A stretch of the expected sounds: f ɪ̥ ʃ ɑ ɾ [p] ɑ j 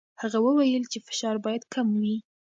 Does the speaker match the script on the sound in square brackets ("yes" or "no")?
no